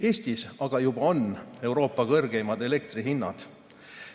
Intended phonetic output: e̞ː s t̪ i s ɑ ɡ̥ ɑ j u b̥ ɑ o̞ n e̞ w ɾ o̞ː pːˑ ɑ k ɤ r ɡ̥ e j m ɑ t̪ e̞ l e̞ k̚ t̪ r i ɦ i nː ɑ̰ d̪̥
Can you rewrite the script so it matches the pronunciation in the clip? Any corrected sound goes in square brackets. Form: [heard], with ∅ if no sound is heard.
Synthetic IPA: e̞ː s t̪ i s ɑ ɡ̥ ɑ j u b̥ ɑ o̞ n e̞ w ɾ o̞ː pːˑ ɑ k ɤ r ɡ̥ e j m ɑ [d̪] e̞ l e̞ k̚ t̪ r i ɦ i nː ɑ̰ d̪̥